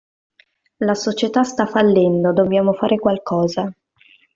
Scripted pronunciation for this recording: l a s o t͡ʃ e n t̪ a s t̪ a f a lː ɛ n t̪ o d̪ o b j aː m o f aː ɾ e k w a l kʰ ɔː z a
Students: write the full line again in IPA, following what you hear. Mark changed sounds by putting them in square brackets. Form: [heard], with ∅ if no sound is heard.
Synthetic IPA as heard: l a s o t͡ʃ e [∅] t̪ a s t̪ a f a lː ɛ n [d̪] o d̪ o b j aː m o f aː ɾ e k w a l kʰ ɔː z a